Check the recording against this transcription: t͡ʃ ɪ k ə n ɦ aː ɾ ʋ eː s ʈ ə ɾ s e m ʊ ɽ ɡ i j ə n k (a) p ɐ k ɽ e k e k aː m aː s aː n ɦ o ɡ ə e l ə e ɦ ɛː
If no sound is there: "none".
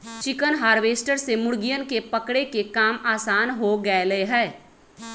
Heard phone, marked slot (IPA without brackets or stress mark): e